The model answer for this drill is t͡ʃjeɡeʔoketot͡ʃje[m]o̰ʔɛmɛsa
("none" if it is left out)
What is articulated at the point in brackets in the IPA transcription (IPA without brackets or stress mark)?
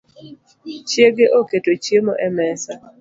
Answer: m